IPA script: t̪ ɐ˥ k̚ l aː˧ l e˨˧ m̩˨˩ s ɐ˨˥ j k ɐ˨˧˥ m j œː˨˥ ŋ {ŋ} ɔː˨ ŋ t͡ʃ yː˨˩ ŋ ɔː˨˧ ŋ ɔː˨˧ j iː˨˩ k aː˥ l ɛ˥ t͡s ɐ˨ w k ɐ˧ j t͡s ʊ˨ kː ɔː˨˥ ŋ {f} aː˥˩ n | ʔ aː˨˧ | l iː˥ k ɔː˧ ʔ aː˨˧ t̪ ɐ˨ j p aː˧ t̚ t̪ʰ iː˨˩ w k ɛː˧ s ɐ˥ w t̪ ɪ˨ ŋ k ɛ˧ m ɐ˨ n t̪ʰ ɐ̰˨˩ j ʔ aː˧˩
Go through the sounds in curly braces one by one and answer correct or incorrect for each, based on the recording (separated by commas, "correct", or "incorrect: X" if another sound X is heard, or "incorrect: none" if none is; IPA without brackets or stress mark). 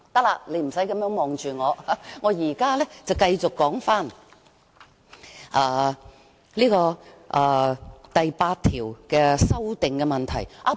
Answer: incorrect: m, correct